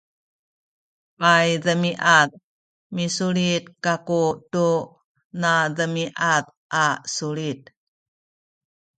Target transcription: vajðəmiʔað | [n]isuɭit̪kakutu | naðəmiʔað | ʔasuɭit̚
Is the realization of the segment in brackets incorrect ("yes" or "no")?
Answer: yes